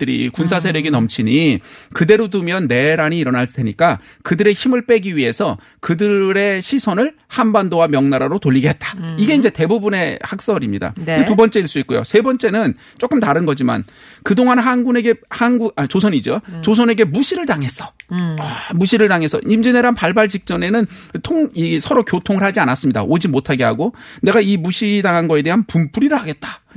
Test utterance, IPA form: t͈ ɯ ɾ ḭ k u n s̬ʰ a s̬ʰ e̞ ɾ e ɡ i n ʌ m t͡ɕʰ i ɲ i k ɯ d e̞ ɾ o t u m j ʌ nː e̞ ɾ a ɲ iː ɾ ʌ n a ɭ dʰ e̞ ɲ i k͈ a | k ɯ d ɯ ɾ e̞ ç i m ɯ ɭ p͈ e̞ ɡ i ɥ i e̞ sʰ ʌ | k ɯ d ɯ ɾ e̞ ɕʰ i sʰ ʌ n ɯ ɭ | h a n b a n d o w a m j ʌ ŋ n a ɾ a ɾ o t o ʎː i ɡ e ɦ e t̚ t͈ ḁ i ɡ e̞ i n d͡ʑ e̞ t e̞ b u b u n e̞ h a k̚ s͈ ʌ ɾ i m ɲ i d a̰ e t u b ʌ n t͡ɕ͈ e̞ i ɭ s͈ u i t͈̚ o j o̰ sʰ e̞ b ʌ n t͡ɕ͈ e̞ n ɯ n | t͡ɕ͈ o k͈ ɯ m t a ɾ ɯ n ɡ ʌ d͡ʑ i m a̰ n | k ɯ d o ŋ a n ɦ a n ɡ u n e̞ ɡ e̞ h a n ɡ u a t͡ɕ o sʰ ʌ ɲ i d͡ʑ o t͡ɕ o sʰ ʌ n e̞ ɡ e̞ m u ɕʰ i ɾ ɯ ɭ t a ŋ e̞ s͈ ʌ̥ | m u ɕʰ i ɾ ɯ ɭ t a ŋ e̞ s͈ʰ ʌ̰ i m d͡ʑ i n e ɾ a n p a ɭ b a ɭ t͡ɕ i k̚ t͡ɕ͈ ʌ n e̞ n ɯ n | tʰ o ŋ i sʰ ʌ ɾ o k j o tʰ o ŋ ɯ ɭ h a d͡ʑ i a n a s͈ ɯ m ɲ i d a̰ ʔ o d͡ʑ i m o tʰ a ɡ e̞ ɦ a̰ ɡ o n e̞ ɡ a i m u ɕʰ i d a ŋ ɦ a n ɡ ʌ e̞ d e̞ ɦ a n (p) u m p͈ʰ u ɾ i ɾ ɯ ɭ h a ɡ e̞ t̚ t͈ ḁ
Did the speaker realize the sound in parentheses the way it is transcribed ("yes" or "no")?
yes